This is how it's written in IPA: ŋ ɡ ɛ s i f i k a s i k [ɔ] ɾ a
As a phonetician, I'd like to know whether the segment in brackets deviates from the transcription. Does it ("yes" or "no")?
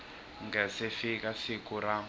yes